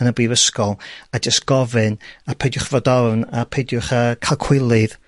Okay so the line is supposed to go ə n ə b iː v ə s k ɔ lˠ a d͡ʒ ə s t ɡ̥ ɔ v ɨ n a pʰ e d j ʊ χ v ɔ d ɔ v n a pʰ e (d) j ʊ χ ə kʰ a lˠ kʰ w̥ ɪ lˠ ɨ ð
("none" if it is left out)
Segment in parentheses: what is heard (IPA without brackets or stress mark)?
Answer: d